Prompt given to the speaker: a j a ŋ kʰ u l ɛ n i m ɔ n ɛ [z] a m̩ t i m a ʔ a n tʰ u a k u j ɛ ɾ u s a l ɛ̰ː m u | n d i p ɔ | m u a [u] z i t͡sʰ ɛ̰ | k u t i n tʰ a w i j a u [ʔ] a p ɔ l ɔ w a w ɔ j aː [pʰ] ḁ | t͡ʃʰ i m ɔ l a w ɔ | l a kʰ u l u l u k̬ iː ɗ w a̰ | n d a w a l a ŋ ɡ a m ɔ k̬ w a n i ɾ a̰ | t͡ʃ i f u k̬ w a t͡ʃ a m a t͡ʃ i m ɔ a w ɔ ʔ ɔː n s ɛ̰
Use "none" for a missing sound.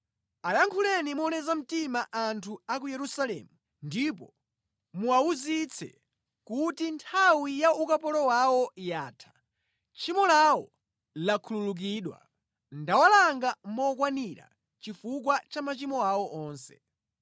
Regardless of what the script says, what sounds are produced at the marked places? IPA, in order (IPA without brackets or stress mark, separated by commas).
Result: z, u, k, tʰ